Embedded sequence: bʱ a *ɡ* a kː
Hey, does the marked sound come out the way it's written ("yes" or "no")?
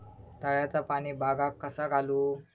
yes